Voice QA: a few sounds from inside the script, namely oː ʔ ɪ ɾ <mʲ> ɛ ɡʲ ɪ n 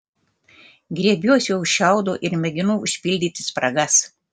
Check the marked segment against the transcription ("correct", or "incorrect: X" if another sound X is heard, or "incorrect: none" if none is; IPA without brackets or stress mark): correct